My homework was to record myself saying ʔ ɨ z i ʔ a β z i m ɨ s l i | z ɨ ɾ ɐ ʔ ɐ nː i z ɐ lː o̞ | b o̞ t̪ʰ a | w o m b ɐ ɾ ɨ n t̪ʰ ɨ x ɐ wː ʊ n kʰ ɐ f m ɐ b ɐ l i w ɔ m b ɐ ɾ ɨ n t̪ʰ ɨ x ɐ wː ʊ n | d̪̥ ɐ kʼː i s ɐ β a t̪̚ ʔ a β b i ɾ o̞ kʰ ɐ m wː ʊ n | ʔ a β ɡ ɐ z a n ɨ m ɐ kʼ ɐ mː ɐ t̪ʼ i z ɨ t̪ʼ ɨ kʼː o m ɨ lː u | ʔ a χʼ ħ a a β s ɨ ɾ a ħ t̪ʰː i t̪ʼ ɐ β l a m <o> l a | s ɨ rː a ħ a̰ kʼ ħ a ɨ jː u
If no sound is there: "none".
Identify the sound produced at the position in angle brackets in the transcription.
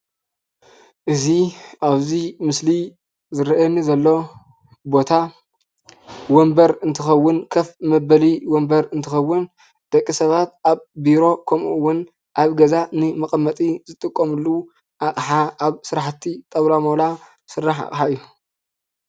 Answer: o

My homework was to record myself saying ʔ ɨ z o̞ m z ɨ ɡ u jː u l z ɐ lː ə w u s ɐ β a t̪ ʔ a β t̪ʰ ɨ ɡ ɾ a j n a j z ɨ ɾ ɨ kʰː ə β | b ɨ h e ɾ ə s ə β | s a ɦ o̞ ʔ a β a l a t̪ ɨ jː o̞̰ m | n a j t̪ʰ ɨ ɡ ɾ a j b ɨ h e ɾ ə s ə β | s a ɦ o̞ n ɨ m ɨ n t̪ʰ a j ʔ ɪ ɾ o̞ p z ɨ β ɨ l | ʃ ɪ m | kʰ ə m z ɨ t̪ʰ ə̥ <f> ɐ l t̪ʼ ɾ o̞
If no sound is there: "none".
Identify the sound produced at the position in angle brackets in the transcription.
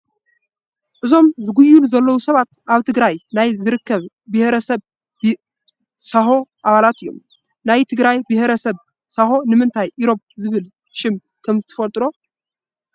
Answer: f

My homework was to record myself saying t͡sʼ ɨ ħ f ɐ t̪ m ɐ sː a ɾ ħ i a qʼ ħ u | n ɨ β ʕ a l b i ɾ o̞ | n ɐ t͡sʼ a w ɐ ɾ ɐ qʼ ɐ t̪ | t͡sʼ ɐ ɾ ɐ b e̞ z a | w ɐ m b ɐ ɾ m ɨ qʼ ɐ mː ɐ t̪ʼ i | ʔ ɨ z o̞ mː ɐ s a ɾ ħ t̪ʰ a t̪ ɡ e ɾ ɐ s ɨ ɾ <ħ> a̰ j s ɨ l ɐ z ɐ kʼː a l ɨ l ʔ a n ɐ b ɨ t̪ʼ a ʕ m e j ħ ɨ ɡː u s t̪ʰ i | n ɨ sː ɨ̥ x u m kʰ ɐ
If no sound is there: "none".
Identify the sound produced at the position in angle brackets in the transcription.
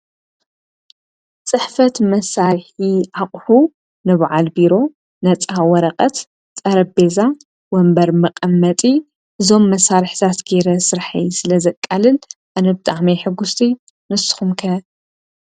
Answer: ħ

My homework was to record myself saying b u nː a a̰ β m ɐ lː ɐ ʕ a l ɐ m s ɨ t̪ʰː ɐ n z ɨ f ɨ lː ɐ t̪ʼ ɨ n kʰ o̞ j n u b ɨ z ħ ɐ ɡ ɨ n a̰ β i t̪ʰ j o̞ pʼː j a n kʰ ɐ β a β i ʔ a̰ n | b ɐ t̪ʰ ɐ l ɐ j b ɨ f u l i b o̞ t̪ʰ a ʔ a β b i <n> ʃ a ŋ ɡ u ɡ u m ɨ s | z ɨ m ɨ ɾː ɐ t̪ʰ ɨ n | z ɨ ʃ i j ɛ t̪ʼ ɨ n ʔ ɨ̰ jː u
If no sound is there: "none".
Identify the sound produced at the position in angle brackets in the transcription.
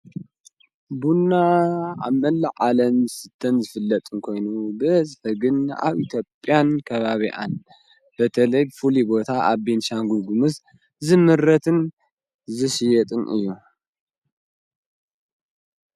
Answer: n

